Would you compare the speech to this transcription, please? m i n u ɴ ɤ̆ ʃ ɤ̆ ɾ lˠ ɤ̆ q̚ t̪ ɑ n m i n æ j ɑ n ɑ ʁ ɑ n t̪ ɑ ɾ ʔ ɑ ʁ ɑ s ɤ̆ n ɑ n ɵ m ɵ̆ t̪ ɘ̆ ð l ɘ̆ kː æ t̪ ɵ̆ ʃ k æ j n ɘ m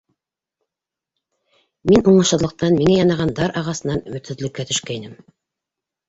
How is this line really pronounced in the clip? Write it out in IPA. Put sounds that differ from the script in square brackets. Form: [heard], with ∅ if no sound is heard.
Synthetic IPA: m i n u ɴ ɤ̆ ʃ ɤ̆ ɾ lˠ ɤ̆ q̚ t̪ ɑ n m i [ŋ] æ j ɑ n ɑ ʁ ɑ n [d̪] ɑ ɾ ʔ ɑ ʁ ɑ s ɤ̆ n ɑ n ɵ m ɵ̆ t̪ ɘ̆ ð l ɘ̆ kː æ t̪ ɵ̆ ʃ k æ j n ɘ m